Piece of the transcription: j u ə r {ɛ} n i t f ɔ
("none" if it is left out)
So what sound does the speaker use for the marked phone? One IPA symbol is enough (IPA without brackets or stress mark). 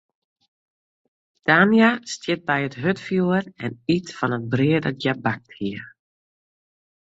ɛ